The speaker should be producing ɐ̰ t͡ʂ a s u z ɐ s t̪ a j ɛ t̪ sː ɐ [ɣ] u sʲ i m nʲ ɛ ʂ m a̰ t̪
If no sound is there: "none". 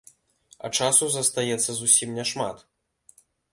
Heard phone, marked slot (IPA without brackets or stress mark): z